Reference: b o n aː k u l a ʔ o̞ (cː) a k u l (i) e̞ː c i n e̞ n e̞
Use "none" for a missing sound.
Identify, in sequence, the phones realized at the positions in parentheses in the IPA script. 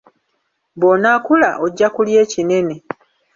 ɟː, j

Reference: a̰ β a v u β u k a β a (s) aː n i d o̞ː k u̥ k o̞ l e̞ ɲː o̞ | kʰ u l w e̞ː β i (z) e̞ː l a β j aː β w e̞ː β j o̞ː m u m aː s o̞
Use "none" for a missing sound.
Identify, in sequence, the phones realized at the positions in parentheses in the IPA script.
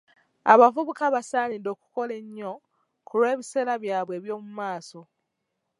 s, s

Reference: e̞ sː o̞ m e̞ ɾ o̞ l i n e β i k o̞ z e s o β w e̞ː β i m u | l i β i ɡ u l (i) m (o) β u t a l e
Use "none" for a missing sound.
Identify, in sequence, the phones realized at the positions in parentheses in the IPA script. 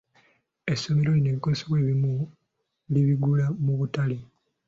a, u

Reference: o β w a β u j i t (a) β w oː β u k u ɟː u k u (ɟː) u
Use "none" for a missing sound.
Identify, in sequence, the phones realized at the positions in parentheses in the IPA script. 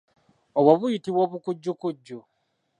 i, ɟː

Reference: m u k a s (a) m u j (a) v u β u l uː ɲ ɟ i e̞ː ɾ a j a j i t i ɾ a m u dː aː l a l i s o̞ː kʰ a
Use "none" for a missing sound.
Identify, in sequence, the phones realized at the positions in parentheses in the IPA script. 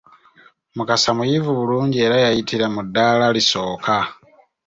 a, i

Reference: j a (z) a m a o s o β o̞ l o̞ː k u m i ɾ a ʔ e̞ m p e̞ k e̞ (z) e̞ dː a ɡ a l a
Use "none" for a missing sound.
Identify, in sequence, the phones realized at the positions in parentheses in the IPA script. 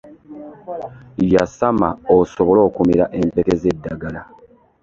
s, z

